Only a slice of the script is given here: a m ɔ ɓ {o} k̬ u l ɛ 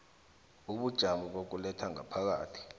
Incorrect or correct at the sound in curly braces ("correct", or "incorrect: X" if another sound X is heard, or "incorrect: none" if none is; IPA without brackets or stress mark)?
correct